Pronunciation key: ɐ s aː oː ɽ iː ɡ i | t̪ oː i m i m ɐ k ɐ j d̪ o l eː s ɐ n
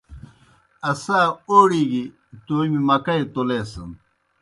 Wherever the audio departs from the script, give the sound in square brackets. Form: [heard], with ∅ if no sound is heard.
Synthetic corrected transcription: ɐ s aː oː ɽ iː ɡ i | t̪ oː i m i m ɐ k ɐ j [t̪] o l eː s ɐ n